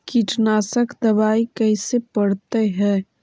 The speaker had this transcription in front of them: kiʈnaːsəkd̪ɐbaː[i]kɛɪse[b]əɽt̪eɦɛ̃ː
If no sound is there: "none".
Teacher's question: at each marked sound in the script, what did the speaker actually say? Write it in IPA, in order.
i, p

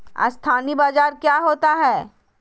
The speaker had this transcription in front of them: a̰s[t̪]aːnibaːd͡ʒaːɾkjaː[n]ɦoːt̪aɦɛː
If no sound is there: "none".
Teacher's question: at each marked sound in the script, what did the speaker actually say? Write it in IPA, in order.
t̪ʰ, none

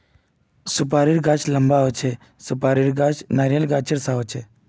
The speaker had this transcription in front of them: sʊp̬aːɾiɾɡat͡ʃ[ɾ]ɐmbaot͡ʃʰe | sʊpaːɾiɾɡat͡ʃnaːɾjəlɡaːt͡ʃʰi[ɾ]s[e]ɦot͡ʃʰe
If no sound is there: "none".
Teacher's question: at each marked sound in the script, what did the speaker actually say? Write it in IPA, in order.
l, ɾ, a

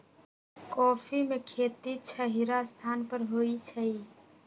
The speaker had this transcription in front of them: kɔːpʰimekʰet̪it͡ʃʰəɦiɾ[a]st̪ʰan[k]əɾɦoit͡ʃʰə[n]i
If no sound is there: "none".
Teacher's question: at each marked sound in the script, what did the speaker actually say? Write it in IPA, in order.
a, p, none

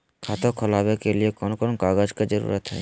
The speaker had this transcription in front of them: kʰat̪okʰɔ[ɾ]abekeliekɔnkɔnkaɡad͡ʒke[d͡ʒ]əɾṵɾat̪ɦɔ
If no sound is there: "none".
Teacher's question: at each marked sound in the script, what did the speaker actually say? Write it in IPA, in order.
l, d͡ʒ

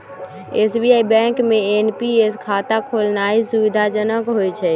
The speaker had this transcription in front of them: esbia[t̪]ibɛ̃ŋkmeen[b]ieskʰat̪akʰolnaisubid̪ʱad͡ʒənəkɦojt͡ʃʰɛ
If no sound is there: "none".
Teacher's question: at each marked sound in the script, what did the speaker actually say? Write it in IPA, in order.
none, p

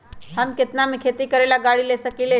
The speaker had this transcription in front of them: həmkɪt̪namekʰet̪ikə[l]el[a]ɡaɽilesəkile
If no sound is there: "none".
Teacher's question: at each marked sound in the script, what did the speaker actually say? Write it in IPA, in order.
ɾ, a

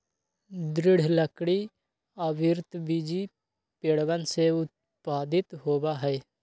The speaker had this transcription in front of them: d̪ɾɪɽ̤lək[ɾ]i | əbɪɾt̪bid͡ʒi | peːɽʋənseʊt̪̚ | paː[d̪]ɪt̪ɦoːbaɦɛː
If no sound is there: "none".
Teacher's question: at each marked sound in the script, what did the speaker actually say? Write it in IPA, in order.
ɽ, d̪

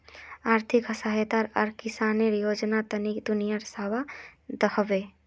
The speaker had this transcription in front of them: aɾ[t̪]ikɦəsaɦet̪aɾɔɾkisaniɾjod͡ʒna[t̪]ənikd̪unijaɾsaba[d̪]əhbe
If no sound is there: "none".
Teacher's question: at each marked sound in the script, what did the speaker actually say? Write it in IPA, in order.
t̪ʰ, t̪, d̪

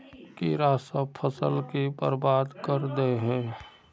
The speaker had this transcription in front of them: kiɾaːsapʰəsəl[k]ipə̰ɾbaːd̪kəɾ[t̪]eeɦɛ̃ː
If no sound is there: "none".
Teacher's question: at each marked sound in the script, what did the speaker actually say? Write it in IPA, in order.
k, d̪

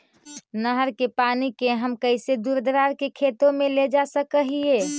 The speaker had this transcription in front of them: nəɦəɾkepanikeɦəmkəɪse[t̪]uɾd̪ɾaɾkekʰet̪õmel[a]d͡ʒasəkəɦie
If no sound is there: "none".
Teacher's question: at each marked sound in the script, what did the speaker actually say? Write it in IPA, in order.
d̪, e

